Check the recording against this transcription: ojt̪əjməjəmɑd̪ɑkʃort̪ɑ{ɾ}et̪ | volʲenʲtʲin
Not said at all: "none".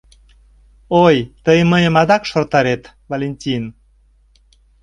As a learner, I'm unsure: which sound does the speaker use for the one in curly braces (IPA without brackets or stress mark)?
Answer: ɾ